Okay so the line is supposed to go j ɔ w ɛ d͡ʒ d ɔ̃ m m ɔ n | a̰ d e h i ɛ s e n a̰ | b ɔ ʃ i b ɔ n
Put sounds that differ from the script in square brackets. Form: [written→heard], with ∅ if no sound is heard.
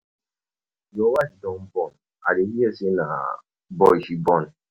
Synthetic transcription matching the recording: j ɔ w [ɛ→a] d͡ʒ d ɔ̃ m [m→b] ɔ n | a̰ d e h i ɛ s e n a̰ | b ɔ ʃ i b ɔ n